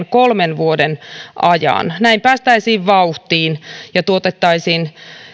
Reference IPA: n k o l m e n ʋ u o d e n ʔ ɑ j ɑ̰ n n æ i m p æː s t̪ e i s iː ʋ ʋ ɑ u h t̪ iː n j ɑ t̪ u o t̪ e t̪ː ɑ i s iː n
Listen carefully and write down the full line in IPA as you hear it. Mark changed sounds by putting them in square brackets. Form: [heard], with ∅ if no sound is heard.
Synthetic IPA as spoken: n k o l m e n ʋ u o d e n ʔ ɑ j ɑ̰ n n æ i m p æː s t̪ [æ] i s iː ʋ ʋ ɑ u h t̪ iː n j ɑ t̪ u o t̪ e t̪ː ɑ i s iː n